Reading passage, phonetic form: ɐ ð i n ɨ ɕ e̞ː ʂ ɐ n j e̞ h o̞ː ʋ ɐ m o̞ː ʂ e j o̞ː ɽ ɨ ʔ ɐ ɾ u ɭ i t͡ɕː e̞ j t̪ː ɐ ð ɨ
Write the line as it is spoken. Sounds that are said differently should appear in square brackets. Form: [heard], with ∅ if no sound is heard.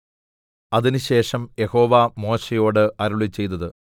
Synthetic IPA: ɐ ð i n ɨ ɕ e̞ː ʂ ɐ [m] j e̞ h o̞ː ʋ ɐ m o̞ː [ɕ] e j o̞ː ɽ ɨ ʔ ɐ ɾ u ɭ i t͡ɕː e̞ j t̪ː ɐ ð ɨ